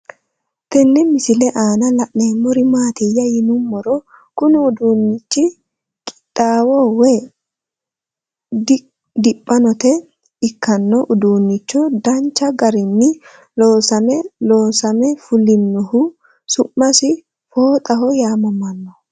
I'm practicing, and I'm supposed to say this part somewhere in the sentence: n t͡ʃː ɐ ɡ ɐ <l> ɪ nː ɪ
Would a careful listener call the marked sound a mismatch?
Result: yes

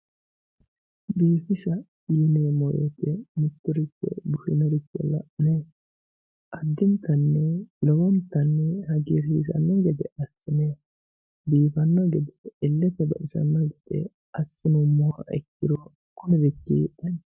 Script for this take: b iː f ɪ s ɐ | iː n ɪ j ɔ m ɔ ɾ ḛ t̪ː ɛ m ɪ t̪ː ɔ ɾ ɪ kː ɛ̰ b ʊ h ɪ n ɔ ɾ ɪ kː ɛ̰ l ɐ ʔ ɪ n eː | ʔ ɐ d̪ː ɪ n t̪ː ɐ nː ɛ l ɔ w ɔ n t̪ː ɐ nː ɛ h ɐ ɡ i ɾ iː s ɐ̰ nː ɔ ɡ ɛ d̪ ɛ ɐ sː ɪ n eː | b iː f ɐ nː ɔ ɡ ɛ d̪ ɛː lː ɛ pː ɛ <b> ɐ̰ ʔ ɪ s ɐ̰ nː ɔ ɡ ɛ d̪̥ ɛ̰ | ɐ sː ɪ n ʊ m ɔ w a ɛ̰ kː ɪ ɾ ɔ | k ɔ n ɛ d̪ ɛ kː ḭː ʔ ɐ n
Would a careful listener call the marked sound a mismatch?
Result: no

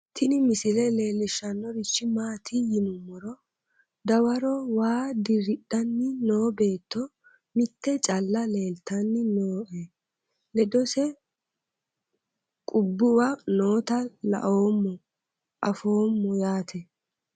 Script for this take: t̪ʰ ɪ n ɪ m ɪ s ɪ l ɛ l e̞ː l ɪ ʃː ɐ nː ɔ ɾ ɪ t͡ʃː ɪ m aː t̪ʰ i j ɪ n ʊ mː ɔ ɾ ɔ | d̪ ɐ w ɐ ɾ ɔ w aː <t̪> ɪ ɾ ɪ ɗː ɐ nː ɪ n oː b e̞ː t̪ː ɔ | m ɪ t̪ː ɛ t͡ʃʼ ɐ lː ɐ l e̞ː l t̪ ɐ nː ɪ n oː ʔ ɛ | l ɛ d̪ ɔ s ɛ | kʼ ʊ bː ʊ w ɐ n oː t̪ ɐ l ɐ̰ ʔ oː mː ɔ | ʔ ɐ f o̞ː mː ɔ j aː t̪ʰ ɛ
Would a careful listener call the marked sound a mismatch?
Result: yes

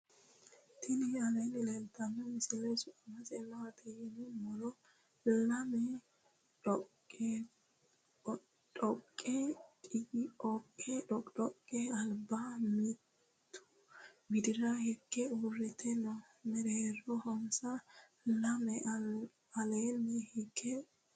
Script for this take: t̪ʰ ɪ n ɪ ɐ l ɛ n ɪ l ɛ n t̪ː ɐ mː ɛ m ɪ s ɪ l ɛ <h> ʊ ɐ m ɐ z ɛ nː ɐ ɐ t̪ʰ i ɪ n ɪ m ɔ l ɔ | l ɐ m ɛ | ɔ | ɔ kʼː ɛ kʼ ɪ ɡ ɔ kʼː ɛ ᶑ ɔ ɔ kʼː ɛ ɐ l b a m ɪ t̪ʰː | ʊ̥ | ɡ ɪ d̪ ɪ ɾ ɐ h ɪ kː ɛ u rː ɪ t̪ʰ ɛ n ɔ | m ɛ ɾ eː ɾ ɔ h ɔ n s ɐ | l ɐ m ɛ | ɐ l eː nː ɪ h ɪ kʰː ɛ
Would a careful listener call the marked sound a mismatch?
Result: yes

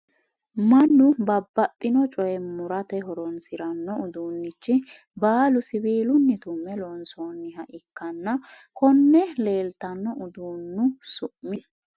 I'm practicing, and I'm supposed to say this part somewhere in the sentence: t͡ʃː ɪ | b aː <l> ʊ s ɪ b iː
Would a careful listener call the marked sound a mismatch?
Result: no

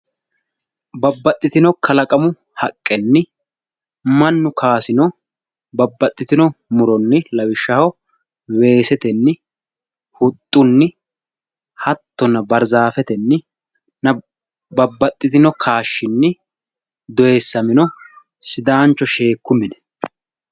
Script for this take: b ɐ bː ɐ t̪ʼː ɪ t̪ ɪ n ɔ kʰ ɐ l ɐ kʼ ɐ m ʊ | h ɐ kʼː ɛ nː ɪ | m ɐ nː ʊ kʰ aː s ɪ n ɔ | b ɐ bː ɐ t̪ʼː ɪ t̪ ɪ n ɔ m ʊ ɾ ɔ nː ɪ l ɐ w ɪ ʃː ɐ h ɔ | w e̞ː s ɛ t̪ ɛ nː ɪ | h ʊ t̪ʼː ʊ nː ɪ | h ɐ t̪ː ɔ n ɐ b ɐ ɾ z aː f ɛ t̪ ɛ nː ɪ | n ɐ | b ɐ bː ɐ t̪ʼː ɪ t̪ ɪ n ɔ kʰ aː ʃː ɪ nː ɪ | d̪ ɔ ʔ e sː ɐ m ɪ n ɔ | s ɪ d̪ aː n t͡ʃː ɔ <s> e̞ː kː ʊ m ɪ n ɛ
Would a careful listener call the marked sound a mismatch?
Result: yes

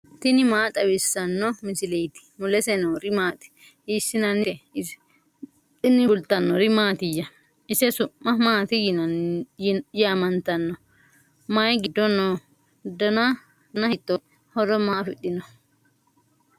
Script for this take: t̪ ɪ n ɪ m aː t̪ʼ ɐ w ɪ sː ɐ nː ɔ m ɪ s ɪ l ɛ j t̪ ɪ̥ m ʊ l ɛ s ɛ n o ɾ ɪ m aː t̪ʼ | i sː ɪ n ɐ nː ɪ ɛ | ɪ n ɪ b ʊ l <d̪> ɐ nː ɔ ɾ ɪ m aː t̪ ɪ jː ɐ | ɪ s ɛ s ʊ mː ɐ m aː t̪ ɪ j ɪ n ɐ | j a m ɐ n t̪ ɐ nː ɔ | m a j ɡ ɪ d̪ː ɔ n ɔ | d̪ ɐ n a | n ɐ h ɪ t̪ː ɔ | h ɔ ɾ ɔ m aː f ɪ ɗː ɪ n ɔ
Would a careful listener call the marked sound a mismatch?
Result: yes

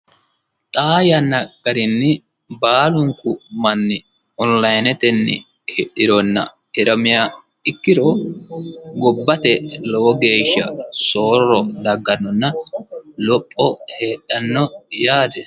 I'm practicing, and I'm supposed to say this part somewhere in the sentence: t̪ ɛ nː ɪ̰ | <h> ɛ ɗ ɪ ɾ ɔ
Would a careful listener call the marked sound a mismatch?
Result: no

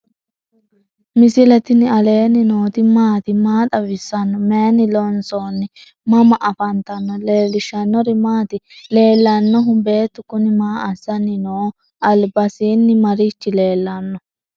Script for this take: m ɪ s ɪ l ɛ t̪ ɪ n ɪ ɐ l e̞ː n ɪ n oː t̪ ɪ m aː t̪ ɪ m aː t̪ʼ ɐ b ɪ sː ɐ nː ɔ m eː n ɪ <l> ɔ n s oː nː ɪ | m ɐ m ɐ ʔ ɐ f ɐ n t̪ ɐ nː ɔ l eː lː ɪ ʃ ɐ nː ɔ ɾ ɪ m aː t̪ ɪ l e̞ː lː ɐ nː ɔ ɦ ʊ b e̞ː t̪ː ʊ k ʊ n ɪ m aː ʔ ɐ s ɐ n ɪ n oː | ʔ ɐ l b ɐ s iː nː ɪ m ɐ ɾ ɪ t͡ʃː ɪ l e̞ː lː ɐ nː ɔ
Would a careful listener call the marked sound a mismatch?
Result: no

